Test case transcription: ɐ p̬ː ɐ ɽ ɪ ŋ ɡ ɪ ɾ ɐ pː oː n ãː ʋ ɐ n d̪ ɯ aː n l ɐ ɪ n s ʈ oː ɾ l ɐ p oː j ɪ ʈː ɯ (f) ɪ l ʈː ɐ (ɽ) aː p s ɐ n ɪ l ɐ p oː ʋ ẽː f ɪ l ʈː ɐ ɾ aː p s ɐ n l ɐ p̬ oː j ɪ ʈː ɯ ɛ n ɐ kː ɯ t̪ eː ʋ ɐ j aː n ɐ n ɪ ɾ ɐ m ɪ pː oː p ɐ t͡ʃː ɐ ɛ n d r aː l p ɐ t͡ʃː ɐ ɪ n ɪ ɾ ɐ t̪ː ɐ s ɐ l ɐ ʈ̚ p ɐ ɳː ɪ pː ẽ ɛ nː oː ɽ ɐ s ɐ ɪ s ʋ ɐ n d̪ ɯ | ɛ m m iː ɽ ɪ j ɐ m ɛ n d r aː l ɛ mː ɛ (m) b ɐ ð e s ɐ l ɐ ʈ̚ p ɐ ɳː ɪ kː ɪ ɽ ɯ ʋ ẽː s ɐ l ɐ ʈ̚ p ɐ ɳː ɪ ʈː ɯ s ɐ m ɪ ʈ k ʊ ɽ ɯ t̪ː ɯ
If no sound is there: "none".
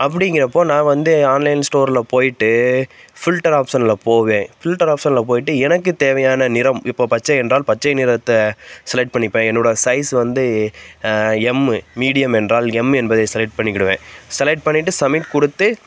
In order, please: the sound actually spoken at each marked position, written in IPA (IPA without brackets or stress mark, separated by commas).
f, ɾ, n